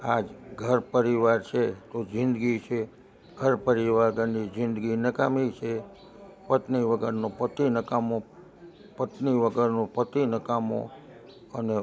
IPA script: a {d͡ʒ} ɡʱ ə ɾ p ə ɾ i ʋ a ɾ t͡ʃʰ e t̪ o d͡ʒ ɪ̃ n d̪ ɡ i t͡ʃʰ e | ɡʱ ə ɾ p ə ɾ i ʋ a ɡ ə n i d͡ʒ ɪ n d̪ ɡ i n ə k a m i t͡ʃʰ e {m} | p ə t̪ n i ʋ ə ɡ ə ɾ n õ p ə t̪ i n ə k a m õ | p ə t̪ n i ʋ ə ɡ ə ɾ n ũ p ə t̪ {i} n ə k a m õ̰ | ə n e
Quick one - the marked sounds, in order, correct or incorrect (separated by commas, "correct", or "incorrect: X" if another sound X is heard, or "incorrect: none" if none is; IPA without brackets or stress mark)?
correct, incorrect: none, correct